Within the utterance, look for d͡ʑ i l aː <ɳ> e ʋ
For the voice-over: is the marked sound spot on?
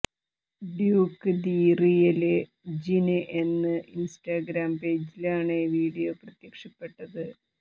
yes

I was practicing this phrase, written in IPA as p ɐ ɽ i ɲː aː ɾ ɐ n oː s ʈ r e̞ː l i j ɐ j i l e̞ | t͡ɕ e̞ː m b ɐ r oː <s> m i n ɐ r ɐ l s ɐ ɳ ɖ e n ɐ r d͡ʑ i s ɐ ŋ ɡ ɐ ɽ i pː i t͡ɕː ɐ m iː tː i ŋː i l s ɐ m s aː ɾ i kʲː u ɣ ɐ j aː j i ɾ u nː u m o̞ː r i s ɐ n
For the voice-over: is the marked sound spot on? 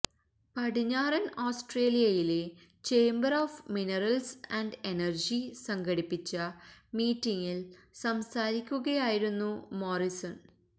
no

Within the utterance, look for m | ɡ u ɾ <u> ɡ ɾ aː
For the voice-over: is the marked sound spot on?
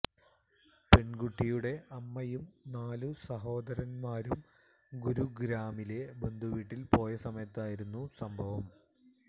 yes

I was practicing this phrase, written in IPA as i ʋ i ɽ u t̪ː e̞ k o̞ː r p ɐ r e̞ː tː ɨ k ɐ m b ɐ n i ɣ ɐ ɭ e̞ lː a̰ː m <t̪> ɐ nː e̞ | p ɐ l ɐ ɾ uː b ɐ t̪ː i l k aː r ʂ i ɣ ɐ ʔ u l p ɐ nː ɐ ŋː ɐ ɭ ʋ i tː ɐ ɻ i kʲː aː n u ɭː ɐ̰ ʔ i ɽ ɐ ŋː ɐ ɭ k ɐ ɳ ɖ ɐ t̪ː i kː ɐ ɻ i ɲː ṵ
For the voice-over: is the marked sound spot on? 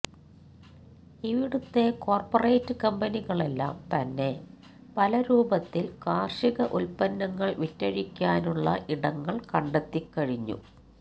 yes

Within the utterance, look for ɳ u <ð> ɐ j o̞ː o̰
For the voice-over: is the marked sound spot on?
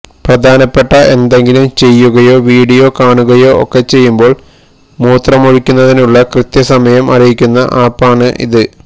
no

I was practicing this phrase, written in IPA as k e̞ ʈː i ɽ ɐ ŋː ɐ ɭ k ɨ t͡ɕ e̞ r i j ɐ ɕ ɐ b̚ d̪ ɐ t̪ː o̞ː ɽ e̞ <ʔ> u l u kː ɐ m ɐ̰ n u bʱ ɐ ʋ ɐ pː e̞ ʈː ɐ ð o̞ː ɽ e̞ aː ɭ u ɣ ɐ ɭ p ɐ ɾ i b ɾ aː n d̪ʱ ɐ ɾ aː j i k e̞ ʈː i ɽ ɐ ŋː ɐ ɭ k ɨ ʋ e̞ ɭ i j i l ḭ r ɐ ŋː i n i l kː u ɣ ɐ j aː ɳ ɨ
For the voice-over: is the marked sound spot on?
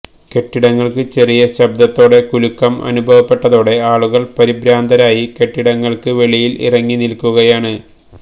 no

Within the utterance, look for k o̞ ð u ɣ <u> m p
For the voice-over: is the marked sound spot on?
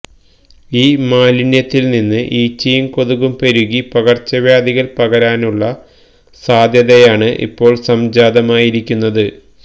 yes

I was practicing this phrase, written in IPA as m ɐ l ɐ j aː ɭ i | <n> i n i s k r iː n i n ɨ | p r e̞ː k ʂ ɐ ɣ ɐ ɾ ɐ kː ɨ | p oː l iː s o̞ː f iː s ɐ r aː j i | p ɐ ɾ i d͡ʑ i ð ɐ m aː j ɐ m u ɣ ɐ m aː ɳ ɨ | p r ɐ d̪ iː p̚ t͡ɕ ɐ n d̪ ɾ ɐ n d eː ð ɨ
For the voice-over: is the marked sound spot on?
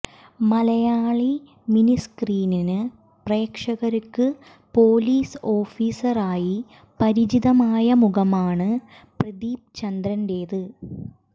no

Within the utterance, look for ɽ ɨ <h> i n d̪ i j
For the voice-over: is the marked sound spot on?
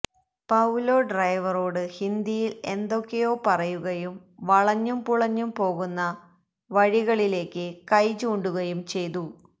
yes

